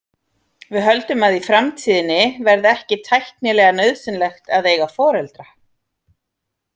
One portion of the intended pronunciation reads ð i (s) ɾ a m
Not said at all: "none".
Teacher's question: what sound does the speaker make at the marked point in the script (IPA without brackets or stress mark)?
f